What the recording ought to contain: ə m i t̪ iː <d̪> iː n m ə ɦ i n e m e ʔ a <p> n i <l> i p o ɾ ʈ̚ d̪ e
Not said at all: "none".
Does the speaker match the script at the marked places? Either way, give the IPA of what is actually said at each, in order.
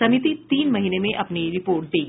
t̪, p, ɾ

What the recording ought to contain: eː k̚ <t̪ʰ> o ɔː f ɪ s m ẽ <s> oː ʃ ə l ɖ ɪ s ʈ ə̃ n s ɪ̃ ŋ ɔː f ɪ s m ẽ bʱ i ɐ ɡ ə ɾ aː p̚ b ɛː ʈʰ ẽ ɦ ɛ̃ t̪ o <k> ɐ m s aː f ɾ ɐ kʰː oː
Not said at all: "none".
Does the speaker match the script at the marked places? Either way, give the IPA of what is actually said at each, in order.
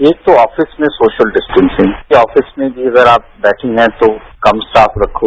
t̪, s, k

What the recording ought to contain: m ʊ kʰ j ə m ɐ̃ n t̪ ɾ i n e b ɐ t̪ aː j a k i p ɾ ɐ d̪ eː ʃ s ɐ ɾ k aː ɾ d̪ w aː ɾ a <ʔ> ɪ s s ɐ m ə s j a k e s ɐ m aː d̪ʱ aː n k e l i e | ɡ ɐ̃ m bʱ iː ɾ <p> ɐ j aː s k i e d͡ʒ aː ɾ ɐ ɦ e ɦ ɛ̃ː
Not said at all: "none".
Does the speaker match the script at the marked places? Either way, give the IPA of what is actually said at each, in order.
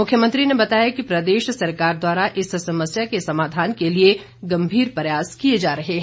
ʔ, p

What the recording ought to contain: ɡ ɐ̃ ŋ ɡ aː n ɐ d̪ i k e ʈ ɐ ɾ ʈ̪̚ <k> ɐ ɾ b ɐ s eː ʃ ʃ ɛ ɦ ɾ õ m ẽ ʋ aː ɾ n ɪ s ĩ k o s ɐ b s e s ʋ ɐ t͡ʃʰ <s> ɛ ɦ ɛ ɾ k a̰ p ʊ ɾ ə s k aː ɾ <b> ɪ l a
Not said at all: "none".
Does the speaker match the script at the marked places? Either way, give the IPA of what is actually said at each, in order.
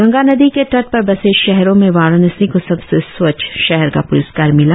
p, ʃ, m

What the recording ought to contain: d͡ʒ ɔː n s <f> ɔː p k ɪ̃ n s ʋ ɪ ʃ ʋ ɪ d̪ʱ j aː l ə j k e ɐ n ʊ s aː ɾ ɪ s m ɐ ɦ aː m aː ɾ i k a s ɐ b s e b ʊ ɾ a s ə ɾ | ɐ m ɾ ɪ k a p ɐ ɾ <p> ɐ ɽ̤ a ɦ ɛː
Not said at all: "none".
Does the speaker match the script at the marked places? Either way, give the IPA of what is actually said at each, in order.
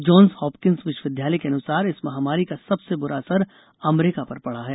h, p

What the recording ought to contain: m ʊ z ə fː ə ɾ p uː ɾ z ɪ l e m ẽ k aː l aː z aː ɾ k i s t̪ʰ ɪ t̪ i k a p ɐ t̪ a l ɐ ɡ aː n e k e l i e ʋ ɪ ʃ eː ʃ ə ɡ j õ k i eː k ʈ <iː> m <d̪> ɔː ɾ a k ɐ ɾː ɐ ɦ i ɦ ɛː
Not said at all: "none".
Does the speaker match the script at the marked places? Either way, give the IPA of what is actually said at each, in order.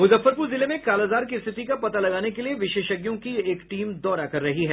iː, d̪

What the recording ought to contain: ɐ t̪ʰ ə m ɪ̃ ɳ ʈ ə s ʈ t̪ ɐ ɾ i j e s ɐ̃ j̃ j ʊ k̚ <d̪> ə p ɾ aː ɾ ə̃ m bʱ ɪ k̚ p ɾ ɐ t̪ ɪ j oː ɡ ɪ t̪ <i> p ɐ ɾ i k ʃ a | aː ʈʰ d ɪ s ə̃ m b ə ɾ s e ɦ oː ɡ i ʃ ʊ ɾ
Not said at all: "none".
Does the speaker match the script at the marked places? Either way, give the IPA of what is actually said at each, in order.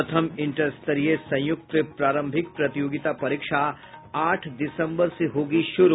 t̪, a

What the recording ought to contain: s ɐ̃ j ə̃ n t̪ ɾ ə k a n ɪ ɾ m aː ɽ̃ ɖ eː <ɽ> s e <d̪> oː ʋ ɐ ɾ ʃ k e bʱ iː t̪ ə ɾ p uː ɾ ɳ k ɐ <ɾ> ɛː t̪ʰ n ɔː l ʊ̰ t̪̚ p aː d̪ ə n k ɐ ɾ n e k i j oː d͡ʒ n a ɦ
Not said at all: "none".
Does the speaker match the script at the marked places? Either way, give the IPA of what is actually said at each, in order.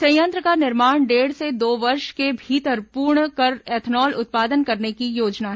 ɽ, d̪, ɾ

